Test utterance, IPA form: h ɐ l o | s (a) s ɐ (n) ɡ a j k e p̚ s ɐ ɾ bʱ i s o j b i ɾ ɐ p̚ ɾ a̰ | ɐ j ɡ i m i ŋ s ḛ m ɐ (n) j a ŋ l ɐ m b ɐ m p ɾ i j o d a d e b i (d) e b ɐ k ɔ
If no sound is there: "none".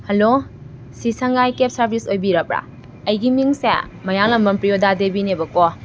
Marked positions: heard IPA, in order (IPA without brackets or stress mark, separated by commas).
i, ŋ, none, n